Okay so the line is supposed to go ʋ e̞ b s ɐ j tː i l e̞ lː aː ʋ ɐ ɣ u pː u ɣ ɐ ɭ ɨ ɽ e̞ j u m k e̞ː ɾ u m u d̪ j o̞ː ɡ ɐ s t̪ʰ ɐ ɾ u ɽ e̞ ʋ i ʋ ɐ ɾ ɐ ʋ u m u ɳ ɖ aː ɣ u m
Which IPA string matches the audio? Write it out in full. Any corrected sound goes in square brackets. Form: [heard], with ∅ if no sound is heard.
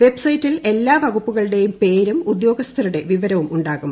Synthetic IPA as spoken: ʋ e̞ b s ɐ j tː i l e̞ lː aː ʋ ɐ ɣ u pː u ɣ ɐ ɭ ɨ ɽ e̞ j u m [p] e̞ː ɾ u m u d̪ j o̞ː ɡ ɐ s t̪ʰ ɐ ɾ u ɽ e̞ ʋ i ʋ ɐ ɾ ɐ ʋ u m u ɳ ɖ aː ɣ u m

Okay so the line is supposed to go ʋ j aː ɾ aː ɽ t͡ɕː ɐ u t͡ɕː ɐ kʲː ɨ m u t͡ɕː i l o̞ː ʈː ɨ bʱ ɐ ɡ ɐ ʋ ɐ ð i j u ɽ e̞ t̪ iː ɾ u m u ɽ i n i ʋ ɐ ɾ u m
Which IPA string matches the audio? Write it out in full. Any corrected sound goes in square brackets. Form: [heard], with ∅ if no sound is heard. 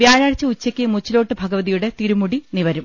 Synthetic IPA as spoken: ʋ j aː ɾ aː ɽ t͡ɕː ɐ u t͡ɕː ɐ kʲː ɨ m u t͡ɕː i l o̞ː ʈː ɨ bʱ ɐ ɡ ɐ ʋ ɐ ð i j u ɽ e̞ t̪ [i] ɾ u m u ɽ i n i ʋ ɐ ɾ u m

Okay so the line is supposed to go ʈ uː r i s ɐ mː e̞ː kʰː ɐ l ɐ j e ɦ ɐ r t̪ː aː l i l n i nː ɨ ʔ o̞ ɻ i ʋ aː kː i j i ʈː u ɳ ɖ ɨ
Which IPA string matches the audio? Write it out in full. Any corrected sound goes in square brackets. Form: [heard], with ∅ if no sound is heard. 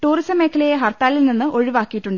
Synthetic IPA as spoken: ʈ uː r i s ɐ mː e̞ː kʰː ɐ l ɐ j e ɦ ɐ r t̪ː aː l i l n i nː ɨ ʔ o̞ ɻ i ʋ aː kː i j i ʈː u ɳ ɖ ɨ

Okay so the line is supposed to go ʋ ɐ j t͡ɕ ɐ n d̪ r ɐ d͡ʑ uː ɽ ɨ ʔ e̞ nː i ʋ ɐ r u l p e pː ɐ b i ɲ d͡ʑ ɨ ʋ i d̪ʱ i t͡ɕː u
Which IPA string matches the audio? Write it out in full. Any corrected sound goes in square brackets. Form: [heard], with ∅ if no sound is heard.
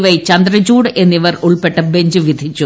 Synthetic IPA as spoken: ʋ ɐ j t͡ɕ ɐ n d̪ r ɐ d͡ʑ uː ɽ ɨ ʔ e̞ nː i ʋ ɐ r u [ɭ] p e [ʈː] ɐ b [e] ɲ d͡ʑ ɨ ʋ i d̪ʱ i t͡ɕː u

